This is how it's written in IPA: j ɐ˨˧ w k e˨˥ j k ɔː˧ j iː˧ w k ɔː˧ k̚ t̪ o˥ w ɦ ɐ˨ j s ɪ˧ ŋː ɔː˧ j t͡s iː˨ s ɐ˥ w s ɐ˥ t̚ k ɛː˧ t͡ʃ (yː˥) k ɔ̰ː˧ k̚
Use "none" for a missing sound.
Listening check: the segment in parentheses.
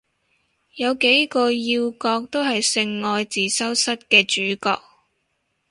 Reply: yː˨˥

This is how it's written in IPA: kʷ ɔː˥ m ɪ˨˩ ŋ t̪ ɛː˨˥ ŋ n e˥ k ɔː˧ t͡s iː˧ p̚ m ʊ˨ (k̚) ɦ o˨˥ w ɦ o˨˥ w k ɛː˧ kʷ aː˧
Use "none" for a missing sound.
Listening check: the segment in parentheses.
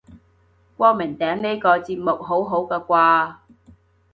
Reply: k̚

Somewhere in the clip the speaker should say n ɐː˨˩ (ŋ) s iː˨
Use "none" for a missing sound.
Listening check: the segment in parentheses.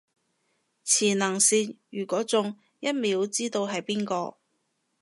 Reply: ŋ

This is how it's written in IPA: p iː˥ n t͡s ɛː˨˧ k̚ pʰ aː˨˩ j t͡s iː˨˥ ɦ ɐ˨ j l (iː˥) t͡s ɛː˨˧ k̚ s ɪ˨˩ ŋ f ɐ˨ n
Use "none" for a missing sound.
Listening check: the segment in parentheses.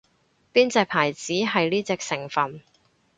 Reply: iː˥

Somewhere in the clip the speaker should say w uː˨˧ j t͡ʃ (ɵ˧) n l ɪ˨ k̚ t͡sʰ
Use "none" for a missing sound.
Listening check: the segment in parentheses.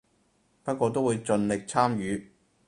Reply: ɵ˧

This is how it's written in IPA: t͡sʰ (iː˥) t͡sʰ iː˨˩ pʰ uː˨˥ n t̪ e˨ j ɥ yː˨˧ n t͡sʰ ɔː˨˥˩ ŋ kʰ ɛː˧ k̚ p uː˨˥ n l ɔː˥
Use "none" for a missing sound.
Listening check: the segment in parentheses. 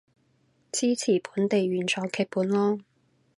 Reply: iː˥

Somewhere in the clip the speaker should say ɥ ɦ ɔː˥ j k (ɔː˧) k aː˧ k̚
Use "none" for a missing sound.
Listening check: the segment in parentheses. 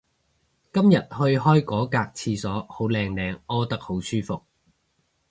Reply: ɔː˨˥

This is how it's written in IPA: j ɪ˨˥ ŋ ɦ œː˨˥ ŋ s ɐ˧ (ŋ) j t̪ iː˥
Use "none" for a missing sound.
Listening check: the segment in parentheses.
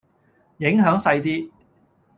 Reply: none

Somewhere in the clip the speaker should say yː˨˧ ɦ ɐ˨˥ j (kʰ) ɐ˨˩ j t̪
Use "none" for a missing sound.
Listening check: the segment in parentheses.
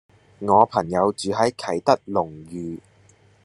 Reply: kʰ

